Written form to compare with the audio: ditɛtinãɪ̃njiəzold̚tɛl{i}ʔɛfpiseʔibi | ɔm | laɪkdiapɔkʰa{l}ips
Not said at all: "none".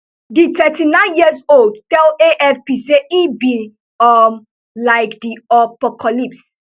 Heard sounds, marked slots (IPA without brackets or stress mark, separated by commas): e, l